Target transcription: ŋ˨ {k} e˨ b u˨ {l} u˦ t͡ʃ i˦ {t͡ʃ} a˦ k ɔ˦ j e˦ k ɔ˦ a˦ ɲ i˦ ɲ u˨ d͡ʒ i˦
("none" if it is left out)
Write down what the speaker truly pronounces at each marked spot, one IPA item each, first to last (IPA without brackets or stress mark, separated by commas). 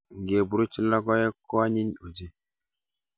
ɡ, ɾ, none